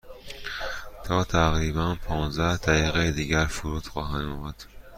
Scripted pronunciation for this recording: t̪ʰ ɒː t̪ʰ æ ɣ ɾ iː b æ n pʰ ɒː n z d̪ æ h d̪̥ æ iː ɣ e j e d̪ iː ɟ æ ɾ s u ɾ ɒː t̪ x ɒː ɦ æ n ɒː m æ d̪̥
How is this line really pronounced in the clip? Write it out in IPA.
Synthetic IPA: t̪ʰ ɒː t̪ʰ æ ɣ ɾ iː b æ n pʰ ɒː n z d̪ æ h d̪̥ æ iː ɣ e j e d̪ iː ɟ æ ɾ f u ɾ uː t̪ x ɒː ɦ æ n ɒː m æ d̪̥